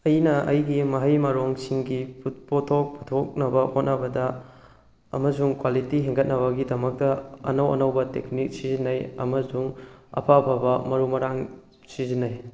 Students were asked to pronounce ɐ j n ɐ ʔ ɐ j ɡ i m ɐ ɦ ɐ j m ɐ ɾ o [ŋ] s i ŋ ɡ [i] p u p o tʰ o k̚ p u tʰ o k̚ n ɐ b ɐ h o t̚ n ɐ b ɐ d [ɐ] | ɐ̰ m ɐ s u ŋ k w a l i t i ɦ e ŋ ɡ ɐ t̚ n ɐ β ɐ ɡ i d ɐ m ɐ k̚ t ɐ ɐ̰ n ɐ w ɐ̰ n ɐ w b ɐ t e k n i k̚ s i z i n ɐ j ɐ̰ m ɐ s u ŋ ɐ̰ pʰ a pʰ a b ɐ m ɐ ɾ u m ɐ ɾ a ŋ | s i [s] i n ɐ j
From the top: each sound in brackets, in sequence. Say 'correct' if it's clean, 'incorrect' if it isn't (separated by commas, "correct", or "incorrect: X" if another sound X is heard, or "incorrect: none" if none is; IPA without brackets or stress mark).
correct, correct, correct, incorrect: z